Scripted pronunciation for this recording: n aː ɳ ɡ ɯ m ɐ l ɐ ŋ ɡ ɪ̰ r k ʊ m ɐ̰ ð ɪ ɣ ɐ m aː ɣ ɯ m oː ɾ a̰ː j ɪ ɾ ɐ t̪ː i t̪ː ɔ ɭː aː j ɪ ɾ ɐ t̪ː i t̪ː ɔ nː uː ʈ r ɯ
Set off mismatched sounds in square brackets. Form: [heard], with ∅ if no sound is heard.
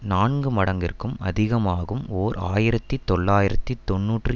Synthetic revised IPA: n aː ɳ ɡ ɯ m ɐ [ɽ] ɐ ŋ ɡ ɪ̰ r k [ɯ] m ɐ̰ ð ɪ ɣ ɐ m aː ɣ ɯ m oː ɾ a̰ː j ɪ ɾ ɐ t̪ː i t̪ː ɔ ɭː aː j ɪ ɾ ɐ t̪ː i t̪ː ɔ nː uː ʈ r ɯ